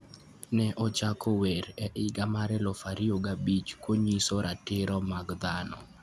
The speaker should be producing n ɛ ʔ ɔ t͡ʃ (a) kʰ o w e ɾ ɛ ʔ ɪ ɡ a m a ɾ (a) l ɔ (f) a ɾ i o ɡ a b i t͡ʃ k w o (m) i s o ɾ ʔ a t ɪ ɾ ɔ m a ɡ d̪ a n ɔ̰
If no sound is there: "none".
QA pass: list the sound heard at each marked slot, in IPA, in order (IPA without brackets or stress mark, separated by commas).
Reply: a, ɛ, f, ɲ